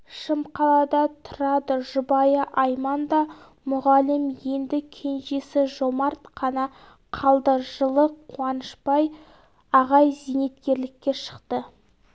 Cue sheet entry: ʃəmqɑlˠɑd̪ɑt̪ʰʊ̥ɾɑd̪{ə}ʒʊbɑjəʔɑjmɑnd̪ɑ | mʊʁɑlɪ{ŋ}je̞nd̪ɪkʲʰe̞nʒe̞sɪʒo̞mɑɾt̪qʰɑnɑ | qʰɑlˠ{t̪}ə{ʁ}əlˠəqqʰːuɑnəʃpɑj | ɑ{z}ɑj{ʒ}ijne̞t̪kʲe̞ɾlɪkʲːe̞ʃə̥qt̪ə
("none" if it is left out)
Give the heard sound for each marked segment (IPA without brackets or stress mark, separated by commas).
ə, m, d̪, ʒ, ʁ, z